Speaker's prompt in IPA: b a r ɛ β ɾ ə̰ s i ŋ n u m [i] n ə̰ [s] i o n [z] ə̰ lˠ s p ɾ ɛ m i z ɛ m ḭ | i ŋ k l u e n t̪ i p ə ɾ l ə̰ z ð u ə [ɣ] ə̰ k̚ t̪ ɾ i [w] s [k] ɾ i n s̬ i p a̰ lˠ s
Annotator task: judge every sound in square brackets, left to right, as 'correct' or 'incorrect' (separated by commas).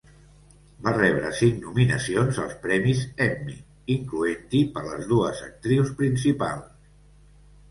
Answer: correct, correct, correct, incorrect, correct, incorrect